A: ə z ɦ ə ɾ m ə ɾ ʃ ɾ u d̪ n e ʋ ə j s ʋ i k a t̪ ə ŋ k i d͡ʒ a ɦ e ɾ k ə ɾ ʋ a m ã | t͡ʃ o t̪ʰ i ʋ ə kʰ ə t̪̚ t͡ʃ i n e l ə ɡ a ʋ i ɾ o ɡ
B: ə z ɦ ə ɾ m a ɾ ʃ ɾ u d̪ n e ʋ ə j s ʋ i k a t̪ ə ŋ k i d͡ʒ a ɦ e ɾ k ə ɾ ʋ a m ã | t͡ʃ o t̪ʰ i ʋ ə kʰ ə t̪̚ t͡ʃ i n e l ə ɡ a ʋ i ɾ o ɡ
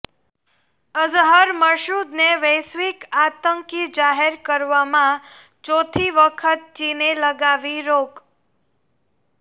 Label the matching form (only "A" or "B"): A